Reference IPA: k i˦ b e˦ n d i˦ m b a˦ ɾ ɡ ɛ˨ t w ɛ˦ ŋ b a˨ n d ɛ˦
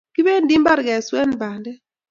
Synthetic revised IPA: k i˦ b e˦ n d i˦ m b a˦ ɾ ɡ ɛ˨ s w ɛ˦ n b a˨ n d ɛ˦